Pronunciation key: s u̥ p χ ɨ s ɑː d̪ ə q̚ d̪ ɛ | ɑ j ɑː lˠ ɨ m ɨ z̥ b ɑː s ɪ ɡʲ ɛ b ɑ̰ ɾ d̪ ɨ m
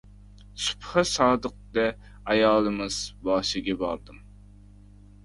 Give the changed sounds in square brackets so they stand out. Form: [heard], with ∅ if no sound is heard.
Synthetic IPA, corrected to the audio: s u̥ p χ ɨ s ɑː d̪ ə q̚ d̪ ɛ | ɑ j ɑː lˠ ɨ m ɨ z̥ b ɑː [ʃ] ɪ ɡʲ ɛ b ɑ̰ ɾ d̪ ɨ m